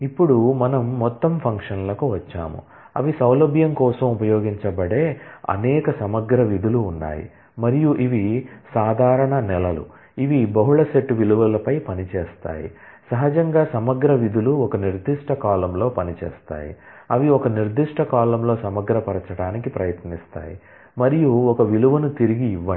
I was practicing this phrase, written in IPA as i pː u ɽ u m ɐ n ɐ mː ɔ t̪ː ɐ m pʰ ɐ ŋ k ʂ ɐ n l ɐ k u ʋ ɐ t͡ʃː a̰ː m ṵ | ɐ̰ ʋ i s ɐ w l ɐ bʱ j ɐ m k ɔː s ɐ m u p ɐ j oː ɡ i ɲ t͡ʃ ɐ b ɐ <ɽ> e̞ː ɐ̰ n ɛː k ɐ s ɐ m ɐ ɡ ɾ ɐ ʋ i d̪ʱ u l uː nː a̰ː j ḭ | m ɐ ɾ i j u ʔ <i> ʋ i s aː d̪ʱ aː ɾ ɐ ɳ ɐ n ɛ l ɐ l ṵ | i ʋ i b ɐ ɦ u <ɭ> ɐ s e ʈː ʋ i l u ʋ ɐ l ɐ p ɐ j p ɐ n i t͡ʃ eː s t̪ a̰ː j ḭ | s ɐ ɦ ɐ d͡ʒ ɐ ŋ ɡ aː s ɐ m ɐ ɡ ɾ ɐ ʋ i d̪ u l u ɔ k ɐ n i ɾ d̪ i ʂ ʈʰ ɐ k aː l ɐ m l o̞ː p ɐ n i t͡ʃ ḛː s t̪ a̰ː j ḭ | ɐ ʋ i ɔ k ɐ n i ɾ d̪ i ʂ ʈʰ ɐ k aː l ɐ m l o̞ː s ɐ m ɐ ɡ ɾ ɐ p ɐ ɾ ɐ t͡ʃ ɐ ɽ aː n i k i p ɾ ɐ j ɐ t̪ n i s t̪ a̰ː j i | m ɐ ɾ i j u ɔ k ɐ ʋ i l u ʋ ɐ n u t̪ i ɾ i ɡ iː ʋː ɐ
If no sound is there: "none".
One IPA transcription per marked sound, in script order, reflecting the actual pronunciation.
ɽ, i, ɭ

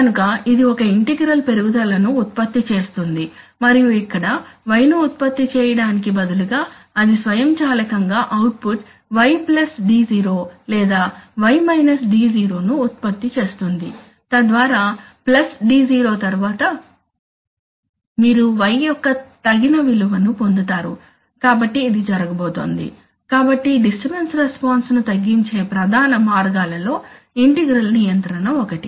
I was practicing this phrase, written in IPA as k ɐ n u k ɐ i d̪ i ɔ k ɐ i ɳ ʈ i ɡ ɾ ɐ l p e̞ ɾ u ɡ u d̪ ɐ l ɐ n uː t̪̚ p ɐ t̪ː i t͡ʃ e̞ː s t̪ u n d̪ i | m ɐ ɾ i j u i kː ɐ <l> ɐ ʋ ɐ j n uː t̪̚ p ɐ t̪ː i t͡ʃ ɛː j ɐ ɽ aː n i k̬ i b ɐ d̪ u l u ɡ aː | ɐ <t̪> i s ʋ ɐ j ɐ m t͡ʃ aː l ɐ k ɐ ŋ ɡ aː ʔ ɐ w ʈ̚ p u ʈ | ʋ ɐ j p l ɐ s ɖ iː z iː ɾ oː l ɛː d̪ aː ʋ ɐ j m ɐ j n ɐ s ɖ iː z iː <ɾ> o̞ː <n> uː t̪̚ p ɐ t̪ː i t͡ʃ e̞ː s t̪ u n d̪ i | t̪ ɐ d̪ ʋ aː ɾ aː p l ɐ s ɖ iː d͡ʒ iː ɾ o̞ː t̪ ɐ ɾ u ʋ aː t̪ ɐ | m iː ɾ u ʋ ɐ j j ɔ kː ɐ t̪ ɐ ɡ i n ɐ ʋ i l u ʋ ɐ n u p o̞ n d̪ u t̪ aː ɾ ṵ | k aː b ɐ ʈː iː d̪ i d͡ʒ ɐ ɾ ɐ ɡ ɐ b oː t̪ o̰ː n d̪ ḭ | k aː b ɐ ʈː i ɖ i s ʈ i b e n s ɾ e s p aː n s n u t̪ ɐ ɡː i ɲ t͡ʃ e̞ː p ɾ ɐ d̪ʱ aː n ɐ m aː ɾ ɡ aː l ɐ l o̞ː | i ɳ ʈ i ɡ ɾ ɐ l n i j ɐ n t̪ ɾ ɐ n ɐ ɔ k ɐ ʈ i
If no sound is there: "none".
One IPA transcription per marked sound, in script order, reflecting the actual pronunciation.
ɽ, d̪, ɾ, n

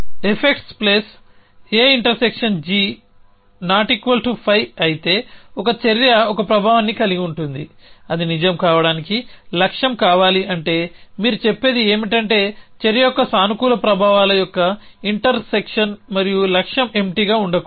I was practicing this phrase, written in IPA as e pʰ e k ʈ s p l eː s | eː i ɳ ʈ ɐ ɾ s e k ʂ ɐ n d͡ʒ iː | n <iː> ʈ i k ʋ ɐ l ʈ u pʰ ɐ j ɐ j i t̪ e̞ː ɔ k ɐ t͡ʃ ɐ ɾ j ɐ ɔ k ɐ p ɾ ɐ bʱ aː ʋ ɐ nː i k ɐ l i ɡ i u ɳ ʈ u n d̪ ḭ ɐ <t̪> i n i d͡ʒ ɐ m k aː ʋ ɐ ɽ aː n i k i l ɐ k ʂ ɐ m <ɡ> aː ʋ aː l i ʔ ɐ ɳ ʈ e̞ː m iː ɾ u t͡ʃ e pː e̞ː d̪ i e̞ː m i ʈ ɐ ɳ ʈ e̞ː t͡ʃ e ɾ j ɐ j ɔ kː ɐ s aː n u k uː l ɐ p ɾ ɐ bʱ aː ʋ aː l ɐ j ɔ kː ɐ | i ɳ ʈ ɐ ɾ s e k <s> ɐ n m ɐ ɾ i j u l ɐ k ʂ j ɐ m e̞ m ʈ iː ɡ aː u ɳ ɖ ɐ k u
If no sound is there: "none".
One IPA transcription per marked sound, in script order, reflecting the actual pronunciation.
aː, d̪, k, ʂ

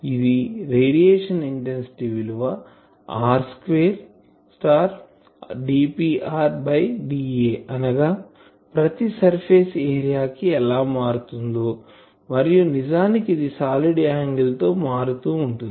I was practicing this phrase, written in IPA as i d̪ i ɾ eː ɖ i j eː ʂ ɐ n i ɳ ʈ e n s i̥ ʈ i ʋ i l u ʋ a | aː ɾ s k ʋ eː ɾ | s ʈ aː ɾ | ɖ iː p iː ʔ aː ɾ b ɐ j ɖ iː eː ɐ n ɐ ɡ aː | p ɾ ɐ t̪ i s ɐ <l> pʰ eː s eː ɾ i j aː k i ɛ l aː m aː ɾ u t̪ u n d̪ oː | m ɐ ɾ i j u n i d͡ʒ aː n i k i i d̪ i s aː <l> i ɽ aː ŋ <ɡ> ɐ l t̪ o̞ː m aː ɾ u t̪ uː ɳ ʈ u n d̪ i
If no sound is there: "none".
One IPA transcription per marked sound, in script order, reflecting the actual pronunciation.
ɾ, l, ɡ

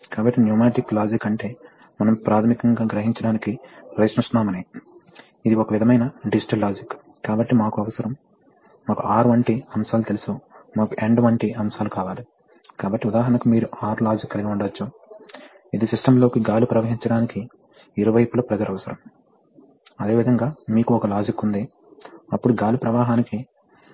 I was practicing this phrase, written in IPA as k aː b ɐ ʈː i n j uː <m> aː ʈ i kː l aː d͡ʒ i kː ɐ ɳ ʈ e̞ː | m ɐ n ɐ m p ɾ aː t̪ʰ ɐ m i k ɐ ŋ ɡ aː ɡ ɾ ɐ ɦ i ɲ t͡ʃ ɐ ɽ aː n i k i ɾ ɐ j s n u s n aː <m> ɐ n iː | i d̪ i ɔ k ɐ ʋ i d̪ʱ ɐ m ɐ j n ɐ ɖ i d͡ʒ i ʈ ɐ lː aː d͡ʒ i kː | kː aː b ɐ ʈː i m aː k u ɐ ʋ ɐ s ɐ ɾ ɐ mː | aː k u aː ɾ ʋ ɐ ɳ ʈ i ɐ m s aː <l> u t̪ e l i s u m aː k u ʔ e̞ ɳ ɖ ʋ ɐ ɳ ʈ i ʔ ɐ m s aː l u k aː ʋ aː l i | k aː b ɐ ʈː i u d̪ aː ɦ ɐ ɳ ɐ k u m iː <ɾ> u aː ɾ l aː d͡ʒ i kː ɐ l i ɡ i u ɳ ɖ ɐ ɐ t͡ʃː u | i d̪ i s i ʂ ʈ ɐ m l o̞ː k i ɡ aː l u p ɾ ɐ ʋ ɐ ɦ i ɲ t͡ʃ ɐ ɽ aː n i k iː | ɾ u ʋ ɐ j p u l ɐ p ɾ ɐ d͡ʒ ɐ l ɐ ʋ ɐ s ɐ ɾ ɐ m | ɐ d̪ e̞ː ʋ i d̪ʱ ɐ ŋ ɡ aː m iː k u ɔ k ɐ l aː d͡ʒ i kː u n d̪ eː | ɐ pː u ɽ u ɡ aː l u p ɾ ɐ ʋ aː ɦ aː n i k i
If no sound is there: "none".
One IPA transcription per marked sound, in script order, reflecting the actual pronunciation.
m, m, l, ɾ

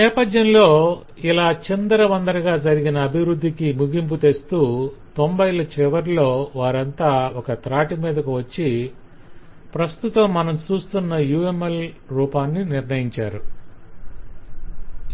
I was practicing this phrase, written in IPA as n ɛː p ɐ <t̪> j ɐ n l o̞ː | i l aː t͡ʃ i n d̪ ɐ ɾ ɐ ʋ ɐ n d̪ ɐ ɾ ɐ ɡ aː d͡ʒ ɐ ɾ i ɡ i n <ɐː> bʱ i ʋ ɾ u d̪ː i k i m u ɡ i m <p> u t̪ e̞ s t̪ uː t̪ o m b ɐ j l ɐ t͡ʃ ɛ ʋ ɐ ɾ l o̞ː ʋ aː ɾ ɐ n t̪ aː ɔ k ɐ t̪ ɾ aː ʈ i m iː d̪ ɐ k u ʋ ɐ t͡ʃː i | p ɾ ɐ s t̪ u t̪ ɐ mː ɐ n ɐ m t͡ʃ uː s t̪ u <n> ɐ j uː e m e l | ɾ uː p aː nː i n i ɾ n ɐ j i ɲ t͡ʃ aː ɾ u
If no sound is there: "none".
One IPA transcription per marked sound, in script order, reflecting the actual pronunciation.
d̪, ɐː, p, nː

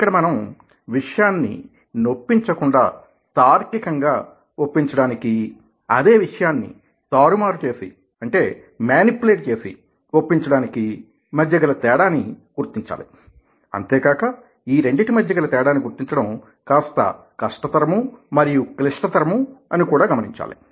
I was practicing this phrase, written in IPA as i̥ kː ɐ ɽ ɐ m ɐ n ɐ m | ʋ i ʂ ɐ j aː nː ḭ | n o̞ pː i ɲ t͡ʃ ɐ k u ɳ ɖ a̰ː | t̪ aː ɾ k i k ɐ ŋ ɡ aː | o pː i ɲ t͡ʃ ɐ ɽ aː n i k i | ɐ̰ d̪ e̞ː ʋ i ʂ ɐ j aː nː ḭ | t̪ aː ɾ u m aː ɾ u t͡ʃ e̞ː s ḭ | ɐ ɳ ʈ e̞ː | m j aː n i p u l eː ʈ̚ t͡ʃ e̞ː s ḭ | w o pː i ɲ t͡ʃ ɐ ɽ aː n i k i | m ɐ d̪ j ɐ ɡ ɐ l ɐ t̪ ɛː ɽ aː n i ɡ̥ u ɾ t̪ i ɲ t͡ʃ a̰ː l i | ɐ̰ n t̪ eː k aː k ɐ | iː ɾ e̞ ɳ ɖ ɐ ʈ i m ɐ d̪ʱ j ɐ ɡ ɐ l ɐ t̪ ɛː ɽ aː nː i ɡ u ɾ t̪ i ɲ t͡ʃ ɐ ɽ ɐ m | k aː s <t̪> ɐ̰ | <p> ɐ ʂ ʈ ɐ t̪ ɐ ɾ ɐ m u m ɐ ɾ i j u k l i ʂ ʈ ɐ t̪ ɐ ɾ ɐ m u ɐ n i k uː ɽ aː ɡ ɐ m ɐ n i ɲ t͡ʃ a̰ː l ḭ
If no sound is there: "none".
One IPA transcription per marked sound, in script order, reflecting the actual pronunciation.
t̪, k

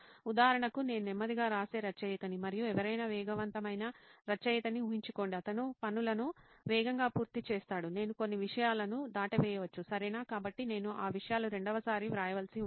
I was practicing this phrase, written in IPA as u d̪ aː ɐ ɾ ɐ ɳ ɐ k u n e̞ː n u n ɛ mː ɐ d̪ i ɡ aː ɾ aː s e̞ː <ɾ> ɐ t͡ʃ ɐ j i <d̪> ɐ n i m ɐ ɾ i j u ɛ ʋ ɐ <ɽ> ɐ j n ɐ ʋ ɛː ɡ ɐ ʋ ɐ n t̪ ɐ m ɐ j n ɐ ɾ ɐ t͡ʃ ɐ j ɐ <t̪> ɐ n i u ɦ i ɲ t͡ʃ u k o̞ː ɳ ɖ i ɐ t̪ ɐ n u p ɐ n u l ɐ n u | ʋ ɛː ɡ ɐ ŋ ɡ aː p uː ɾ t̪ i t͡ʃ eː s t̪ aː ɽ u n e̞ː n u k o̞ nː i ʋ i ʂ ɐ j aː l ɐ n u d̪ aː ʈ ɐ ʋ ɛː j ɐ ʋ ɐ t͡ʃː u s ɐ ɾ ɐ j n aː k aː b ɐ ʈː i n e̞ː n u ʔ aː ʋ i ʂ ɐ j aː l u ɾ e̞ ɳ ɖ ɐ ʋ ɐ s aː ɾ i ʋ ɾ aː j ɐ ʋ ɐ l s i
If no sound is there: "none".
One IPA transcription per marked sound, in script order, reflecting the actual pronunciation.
ɾ, t̪, ɾ, t̪

